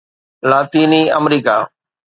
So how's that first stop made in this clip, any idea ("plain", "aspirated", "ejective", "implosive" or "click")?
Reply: plain